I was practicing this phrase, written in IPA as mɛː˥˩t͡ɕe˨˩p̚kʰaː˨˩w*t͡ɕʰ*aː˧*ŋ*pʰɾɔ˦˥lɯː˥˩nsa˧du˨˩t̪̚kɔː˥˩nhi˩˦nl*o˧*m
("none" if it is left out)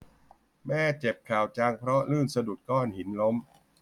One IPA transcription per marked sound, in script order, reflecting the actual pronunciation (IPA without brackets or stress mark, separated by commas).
t͡ɕ, ŋ, o˦˥